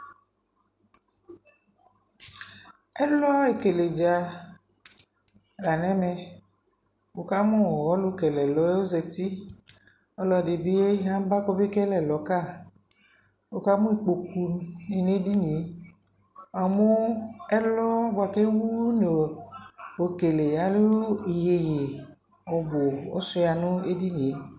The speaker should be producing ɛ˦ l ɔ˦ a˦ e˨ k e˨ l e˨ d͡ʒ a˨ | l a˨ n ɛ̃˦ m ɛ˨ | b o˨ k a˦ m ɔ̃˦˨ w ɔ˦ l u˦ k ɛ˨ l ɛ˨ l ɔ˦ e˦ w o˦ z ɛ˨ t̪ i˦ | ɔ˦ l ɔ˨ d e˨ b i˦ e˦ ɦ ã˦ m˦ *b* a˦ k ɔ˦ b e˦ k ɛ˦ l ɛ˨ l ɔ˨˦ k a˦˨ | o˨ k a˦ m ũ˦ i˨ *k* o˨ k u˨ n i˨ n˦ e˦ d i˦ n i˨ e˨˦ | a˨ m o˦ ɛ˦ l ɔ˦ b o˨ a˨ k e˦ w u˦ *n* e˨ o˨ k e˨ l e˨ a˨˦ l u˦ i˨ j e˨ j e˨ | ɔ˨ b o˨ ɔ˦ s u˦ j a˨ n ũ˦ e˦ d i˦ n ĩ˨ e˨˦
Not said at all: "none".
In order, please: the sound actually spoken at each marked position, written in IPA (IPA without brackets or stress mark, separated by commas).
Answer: b, k͡p, n